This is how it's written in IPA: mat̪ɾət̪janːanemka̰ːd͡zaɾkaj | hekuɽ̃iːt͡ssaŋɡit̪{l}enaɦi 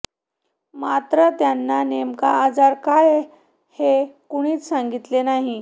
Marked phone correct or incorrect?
correct